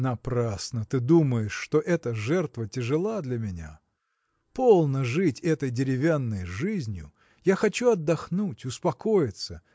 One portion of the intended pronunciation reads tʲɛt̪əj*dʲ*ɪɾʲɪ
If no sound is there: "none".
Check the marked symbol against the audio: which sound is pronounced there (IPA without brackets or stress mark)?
dʲ